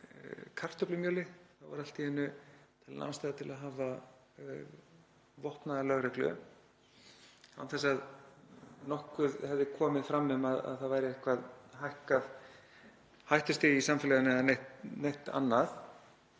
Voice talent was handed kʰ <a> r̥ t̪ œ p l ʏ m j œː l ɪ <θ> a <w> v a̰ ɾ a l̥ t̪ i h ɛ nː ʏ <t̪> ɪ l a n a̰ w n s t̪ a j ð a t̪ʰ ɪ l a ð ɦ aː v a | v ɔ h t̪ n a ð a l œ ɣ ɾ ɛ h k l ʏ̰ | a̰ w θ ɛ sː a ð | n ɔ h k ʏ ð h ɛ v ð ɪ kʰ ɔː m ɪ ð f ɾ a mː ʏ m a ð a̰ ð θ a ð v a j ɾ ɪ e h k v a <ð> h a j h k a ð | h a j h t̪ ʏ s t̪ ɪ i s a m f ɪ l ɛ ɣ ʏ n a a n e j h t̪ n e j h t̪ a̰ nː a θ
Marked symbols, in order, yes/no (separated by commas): yes, yes, yes, no, yes